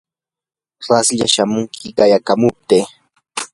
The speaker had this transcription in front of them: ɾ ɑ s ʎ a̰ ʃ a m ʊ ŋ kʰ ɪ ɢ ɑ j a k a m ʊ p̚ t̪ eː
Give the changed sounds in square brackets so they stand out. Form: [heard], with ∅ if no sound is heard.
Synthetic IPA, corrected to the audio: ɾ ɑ s ʎ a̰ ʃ a m ʊ ŋ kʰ ɪ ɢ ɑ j a k a m ʊ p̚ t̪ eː